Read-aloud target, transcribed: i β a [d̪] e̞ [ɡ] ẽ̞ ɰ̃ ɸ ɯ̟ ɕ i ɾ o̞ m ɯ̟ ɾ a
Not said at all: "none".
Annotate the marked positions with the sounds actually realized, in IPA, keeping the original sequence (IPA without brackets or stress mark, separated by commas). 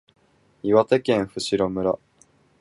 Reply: t̪, k